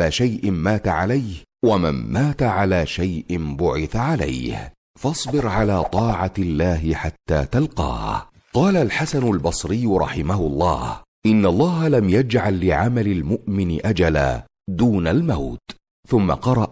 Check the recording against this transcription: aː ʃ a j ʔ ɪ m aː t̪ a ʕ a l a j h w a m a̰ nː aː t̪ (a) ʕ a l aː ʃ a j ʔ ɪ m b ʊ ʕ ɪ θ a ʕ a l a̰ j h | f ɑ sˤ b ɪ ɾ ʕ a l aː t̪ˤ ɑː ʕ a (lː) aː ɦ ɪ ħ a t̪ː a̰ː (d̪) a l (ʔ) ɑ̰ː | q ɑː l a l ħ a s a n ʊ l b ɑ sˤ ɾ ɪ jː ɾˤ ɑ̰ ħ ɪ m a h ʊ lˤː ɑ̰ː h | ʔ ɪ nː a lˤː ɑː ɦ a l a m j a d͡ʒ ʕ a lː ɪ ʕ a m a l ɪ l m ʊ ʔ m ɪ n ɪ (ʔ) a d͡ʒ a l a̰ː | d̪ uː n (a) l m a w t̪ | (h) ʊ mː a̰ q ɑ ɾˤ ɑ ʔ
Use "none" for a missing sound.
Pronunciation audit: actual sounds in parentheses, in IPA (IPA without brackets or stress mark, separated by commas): a, lː, t̪, q, ʔ, a, θ